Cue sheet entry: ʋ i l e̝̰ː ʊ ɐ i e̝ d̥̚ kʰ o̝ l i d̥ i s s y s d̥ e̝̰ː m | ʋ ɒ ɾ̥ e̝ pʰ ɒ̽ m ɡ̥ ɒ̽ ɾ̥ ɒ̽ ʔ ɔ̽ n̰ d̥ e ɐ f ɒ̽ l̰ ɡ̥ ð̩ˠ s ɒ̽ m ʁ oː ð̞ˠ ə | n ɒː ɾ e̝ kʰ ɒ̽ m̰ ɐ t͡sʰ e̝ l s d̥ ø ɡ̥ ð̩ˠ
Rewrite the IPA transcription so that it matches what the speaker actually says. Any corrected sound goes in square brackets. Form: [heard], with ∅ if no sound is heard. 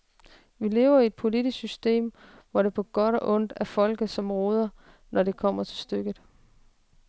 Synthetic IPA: ʋ i l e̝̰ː ʊ ɐ i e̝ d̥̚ [pʰ] o̝ l i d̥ i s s y s d̥ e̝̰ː m | ʋ ɒ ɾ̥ e̝ pʰ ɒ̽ [∅] ɡ̥ ɒ̽ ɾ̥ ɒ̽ ʔ ɔ̽ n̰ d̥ [æ] ɐ f ɒ̽ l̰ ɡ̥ ð̩ˠ s ɒ̽ m ʁ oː ð̞ˠ [ɐ] | n [ɒ] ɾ e̝ kʰ ɒ̽ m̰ ɐ t͡sʰ e̝ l s d̥ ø ɡ̥ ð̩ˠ